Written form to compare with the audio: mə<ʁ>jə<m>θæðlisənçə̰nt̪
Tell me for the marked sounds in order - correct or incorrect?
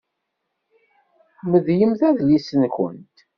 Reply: incorrect, correct

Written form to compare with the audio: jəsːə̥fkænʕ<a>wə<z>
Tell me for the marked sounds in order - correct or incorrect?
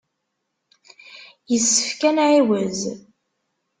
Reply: incorrect, correct

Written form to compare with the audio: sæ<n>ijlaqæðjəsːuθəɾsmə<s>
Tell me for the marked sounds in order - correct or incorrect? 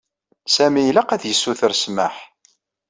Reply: incorrect, incorrect

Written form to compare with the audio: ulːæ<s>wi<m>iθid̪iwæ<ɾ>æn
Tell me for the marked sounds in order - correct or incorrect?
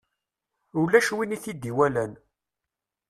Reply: incorrect, incorrect, incorrect

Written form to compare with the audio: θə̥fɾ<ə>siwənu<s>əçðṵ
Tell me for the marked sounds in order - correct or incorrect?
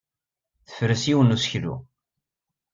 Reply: correct, correct

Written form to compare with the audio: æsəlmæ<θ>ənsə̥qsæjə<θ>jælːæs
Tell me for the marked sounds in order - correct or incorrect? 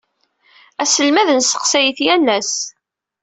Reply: incorrect, correct

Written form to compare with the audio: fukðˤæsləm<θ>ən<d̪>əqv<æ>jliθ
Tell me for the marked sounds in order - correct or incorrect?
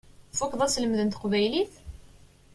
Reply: incorrect, incorrect, correct

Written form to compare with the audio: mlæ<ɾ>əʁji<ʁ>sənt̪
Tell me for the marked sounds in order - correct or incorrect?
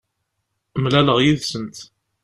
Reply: incorrect, incorrect

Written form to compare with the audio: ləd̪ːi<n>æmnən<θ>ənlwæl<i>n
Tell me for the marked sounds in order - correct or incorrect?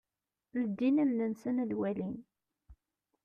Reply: correct, incorrect, correct

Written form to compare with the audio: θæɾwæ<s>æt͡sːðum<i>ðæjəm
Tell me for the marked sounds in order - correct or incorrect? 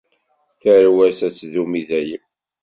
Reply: correct, correct

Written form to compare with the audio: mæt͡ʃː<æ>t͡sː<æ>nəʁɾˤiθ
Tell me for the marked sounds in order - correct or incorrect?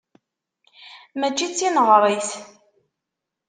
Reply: incorrect, incorrect

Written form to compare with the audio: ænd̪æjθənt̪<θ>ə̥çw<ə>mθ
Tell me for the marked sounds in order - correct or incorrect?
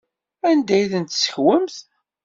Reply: incorrect, correct

